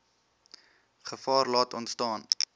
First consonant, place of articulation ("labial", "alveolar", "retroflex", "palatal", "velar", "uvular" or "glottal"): uvular